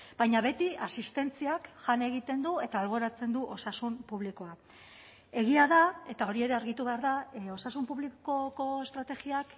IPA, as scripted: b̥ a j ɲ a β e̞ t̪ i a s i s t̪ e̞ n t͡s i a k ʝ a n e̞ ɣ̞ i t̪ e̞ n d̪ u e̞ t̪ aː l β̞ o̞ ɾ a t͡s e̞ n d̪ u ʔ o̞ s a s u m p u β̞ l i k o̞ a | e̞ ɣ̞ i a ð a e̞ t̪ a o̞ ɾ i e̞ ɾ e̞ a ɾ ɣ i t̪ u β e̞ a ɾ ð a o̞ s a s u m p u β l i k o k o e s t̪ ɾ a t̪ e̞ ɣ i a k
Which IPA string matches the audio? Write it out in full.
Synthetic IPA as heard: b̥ a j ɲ a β e̞ t̪ i a s i s t̪ e̞ n t͡s i a k ʝ a n e̞ ɣ̞ i t̪ e̞ n d̪ u e̞ t̪ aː l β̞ o̞ ɾ a t͡s e̞ n d̪ u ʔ o̞ s a s u m p u β̞ l i k o̞ a | e̞ ɣ̞ i a ð a e̞ t̪ a o̞ ɾ i e̞ ɾ e̞ a ɾ ɣ i t̪ u β e̞ a ɾ ð a o̞ s a s u m p u β l i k o k o e s t̪ ɾ a t̪ e̞ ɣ i a k